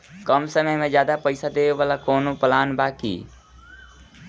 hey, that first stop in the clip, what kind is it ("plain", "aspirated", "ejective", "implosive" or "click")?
plain